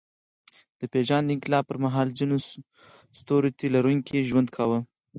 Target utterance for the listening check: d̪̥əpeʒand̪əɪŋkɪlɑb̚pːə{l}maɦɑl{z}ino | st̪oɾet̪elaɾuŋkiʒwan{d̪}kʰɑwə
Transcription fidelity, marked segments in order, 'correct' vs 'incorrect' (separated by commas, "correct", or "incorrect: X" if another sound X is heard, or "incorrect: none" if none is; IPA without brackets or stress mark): incorrect: ɾ, correct, correct